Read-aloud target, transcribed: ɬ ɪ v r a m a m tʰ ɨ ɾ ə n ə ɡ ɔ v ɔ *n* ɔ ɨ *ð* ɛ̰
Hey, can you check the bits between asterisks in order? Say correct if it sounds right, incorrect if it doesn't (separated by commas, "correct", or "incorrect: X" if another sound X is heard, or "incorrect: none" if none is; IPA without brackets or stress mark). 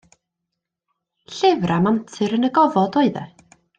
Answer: incorrect: d, correct